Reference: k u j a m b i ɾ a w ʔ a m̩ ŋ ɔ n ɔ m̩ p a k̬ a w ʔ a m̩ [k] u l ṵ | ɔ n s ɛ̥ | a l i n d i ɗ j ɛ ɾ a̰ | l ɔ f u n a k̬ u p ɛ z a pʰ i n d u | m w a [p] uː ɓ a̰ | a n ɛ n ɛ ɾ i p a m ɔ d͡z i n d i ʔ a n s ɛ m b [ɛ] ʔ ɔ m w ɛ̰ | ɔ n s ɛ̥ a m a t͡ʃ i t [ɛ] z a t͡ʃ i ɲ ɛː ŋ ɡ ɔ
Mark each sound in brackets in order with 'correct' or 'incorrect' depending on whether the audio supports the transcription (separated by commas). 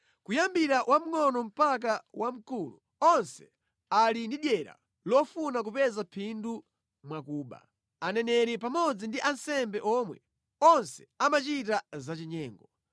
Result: correct, incorrect, correct, incorrect